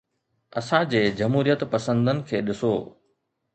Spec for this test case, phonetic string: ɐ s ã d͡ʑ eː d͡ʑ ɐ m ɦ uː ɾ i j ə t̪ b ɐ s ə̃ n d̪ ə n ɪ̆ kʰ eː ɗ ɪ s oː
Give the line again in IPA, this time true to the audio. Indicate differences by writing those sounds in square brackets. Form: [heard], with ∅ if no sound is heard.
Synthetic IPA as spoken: ɐ s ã d͡ʑ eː d͡ʑ ɐ m ɦ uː ɾ i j ə t̪ [p] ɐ s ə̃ n d̪ ə n ɪ̆ kʰ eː ɗ ɪ s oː